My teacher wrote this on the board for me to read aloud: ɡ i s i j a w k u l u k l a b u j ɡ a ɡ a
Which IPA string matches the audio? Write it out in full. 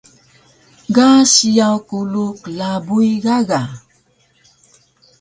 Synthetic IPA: ɡ a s i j a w k u l u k l a b u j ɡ a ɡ a